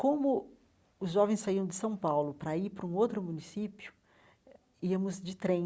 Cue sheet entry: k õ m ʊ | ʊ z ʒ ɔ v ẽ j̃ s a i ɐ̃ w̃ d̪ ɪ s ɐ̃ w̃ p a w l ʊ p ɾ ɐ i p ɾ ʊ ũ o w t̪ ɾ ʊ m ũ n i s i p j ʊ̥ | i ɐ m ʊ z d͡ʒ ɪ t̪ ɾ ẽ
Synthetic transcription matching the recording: k õ m ʊ | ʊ z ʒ ɔ v ẽ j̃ s a i ɐ̃ w̃ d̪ ɪ s ɐ̃ w̃ p a w l ʊ p ɾ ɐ i p ɾ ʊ ũ o w t̪ ɾ ʊ m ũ n i s i p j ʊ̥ | i ɐ m ʊ z d͡ʒ ɪ t̪ ɾ ẽ